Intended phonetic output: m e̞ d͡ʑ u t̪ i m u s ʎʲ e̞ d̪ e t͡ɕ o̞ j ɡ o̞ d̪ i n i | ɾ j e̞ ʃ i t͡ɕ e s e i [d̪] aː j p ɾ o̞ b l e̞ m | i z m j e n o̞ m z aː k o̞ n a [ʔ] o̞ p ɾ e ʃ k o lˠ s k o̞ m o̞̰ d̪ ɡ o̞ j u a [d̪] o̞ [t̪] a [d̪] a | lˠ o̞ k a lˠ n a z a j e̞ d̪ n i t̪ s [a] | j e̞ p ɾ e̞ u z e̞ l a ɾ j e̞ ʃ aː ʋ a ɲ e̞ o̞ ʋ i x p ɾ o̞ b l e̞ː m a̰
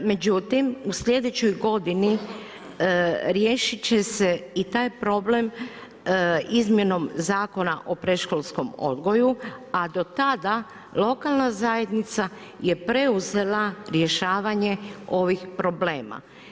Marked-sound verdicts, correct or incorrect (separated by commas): incorrect, correct, correct, correct, correct, correct